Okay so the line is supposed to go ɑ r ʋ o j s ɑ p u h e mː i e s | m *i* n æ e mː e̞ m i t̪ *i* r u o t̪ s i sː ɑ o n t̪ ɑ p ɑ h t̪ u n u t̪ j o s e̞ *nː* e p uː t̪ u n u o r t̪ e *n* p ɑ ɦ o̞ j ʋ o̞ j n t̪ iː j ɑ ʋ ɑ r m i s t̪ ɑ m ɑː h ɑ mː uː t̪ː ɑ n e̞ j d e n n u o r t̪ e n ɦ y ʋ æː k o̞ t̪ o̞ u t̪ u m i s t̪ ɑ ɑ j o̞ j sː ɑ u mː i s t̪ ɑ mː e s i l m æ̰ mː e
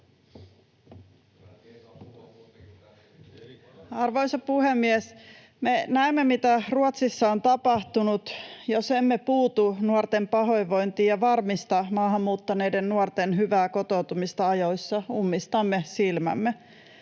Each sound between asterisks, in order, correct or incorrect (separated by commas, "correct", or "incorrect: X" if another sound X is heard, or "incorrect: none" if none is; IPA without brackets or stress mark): incorrect: e, incorrect: æ, incorrect: mː, incorrect: m